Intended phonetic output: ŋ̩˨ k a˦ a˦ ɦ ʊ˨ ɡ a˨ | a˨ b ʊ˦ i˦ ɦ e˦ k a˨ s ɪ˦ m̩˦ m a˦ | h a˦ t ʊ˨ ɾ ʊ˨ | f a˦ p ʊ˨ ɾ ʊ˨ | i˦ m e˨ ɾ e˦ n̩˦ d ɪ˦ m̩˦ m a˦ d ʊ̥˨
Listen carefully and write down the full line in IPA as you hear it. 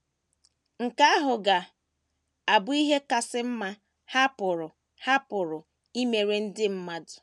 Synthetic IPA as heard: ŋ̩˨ k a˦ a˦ ɦ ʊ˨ ɡ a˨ | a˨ b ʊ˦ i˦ ɦ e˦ k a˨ s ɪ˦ m̩˦ m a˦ | h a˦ p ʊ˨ ɾ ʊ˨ | h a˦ p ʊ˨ ɾ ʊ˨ | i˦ m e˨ ɾ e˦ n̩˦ d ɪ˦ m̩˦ m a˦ d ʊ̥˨